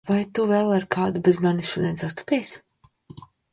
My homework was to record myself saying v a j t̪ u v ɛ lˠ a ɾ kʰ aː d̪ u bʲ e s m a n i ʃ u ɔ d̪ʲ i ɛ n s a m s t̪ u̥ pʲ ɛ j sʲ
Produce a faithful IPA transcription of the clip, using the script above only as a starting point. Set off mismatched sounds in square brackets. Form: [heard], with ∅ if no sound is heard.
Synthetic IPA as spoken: v a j t̪ u v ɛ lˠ a ɾ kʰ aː d̪ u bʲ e [z] m a n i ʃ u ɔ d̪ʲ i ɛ n s a [∅] s t̪ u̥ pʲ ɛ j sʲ